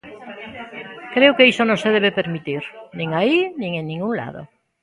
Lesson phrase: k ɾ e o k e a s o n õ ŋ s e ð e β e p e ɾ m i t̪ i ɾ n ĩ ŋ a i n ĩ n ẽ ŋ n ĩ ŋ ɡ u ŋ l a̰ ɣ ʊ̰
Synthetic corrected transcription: k ɾ e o k e i s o n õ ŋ s e ð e β e p e ɾ m i t̪ i ɾ n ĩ ŋ a i n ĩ ŋ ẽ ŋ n ĩ ŋ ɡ u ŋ l a̰ ð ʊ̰